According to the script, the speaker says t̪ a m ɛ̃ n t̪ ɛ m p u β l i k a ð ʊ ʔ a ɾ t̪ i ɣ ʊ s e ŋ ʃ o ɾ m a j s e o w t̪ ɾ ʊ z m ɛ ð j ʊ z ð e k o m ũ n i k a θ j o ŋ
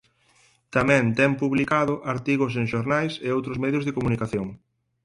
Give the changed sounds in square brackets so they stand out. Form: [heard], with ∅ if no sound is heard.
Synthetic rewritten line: t̪ a m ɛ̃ n t̪ ɛ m p u β l i k a ð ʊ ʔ a ɾ t̪ i ɣ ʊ s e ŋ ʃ o ɾ [n] a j s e o w t̪ ɾ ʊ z m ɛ ð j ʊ z ð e k o m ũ n i k a θ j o ŋ